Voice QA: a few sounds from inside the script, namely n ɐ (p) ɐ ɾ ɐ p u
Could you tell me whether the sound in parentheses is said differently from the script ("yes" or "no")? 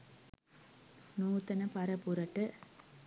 no